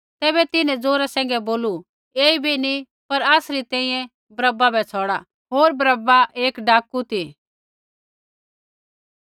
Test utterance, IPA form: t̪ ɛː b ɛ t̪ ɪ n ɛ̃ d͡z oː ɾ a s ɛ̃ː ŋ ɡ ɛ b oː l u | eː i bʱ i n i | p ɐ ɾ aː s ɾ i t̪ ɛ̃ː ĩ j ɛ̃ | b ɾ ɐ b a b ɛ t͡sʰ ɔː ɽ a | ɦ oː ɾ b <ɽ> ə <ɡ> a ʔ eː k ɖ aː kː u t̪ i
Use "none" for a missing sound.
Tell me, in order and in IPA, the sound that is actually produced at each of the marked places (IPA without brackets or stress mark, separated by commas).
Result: ɾ, b